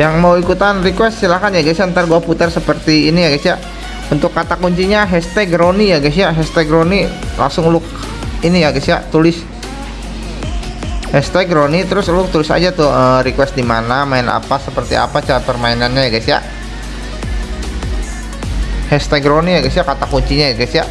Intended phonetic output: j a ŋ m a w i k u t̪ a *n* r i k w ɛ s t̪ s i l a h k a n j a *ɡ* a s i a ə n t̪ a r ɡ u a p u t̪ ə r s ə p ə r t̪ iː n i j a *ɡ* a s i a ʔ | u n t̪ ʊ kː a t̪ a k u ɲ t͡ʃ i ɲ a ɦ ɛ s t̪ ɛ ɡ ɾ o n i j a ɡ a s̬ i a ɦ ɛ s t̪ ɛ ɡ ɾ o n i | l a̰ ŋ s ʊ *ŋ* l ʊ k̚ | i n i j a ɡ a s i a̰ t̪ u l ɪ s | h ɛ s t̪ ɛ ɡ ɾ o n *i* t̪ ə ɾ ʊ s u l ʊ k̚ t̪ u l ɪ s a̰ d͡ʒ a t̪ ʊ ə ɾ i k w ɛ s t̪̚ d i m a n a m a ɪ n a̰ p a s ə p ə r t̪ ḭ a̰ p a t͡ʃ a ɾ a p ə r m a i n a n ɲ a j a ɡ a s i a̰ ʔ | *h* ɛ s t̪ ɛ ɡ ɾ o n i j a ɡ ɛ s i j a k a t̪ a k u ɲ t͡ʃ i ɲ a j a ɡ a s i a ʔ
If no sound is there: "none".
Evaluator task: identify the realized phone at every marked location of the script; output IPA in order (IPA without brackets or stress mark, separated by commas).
n, ɡ, ɡ, ŋ, i, h